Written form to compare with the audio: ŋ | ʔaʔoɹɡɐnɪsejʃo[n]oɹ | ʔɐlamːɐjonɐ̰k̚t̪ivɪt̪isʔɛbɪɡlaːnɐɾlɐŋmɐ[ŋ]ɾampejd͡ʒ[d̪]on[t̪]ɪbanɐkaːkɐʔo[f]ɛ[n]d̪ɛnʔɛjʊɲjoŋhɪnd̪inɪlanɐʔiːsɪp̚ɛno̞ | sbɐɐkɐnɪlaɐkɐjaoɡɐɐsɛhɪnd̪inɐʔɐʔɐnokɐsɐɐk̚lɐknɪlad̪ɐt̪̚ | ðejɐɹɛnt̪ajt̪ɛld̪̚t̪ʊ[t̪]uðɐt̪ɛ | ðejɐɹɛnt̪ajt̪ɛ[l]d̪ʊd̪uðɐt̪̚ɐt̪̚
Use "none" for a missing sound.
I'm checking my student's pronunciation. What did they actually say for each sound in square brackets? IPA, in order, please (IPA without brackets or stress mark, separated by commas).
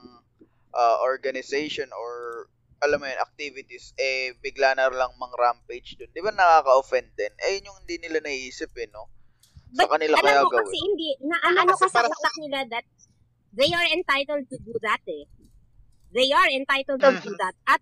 n, ŋ, d̪, d̪, f, n, d̪, l